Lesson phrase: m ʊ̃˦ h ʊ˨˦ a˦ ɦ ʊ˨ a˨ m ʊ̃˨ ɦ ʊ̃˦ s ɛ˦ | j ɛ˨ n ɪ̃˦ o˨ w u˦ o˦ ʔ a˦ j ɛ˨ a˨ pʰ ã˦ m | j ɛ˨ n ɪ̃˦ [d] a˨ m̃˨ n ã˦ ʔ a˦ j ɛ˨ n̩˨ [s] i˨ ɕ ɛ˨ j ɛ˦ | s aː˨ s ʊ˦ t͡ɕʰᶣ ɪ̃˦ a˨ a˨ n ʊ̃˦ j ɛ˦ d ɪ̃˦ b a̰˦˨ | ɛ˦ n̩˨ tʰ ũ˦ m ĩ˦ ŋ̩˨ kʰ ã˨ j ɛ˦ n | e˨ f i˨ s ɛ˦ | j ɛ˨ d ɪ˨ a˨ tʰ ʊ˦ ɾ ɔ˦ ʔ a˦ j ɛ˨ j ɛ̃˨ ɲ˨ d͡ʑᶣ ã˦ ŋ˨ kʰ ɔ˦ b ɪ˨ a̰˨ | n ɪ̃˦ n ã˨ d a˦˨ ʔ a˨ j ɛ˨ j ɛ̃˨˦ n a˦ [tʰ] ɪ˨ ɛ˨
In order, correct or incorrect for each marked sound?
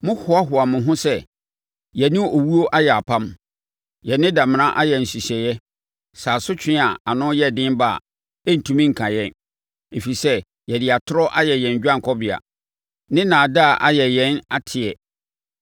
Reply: correct, correct, correct

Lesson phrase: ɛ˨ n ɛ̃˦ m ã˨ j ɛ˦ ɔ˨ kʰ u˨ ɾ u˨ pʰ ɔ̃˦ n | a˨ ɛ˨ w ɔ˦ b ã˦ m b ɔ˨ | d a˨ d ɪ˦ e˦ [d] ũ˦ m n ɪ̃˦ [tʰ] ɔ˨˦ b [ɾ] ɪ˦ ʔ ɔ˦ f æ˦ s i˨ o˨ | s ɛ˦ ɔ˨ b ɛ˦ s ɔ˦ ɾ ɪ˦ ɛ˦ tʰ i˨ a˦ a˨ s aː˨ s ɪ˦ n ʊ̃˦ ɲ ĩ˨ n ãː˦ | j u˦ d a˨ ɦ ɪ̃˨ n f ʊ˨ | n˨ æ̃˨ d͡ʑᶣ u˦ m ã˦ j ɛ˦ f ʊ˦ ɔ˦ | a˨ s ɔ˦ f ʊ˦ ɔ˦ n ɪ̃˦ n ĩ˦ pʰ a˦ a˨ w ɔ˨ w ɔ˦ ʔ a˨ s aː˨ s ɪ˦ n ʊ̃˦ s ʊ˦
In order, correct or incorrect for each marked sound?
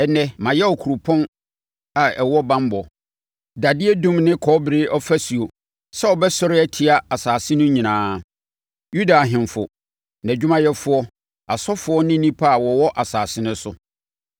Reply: correct, incorrect: kʰ, correct

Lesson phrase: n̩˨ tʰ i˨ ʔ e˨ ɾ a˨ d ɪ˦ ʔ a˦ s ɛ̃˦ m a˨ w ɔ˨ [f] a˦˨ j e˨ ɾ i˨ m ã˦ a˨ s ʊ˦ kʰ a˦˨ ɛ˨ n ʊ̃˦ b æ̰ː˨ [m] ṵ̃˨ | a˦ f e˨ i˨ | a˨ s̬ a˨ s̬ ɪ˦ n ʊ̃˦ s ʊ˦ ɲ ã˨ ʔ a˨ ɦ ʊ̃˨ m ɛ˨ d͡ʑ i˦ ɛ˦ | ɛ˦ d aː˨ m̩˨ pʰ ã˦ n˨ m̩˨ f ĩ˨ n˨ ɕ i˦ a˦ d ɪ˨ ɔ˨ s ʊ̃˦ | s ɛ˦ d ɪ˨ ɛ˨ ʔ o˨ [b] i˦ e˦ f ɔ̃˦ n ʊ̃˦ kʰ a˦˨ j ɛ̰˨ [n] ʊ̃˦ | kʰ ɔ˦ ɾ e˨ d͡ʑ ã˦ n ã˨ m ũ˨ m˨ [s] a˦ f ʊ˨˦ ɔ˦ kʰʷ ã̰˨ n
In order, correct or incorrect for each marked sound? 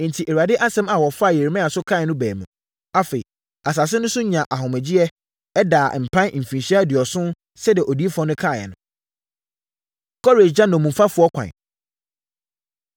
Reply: correct, correct, incorrect: d, correct, incorrect: f

